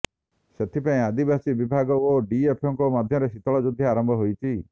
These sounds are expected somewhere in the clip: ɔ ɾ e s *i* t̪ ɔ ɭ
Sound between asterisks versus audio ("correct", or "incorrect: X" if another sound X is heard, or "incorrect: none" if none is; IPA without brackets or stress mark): correct